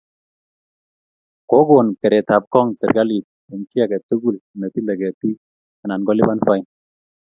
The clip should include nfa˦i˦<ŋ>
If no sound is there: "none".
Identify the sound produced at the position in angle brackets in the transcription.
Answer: n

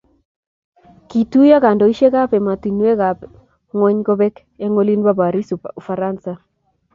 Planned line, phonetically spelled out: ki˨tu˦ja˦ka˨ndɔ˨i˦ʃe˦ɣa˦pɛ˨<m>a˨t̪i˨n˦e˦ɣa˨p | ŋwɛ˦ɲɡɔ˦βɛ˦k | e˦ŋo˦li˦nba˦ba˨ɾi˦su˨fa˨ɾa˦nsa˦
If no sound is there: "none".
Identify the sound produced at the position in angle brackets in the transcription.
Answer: m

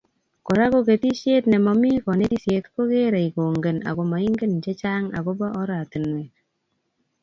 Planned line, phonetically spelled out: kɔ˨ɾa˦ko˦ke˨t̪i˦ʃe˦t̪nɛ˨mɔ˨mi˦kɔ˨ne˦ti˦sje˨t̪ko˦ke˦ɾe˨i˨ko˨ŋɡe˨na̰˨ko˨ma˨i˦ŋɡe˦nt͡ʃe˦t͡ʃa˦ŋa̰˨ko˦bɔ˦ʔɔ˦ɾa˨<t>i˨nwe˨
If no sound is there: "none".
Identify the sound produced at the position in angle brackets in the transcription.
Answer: t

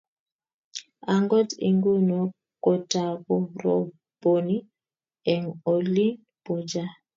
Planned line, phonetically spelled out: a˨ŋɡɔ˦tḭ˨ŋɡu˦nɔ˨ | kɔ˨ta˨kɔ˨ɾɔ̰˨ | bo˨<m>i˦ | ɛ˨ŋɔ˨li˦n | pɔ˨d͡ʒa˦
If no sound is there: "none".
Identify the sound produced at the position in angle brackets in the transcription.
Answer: n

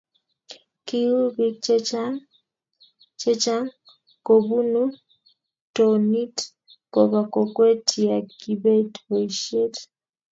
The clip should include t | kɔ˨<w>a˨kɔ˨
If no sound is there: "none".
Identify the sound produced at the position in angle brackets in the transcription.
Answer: β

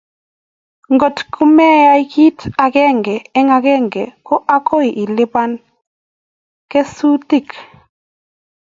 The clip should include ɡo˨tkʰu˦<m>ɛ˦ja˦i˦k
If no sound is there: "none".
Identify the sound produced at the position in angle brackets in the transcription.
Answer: m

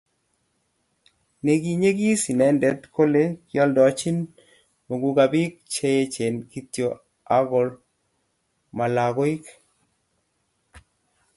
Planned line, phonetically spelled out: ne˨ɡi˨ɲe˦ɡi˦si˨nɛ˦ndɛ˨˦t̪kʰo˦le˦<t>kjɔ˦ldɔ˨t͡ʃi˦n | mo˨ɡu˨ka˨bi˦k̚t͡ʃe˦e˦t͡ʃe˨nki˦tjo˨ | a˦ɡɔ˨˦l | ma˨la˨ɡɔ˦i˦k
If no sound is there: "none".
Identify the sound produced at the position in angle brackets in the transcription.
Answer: none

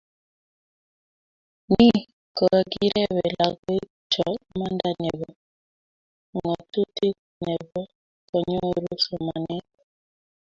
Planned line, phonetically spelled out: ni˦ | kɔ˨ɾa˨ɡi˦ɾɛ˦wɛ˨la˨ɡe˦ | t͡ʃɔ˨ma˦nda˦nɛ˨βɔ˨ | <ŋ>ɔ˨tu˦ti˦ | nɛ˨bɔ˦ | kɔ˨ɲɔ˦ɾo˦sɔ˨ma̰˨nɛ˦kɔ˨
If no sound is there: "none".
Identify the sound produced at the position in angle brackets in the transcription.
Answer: ŋ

